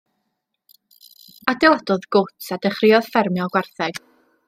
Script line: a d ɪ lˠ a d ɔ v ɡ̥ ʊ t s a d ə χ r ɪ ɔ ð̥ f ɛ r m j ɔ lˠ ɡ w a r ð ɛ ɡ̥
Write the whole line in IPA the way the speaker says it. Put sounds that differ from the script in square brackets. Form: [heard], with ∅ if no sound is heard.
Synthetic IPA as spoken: a d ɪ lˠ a d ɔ [ð] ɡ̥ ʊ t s a d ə χ r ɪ ɔ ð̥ f ɛ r m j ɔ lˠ ɡ w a r [θ] ɛ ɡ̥